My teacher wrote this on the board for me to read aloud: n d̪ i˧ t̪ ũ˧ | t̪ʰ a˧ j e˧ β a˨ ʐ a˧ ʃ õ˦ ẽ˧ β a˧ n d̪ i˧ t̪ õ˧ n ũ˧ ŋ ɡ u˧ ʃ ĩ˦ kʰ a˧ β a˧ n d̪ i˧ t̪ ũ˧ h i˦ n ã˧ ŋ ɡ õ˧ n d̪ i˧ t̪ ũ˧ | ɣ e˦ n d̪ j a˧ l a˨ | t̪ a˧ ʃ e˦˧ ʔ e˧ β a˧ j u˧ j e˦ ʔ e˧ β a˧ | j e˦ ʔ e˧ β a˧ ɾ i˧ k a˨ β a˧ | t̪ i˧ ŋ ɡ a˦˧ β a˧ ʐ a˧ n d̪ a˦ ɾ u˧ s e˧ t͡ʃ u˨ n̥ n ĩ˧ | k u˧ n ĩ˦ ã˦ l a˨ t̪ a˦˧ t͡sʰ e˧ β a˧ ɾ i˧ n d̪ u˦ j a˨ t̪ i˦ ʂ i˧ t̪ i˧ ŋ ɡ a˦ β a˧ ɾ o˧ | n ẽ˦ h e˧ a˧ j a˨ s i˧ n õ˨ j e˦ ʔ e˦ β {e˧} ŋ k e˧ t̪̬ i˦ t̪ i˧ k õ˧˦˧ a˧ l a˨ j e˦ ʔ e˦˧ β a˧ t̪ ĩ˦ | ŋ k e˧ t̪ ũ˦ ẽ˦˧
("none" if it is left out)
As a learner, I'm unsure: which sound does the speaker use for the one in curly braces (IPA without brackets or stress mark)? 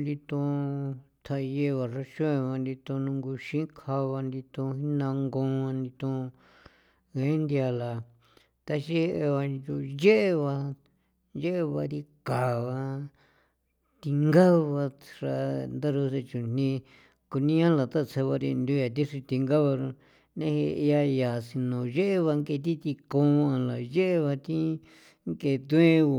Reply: a˧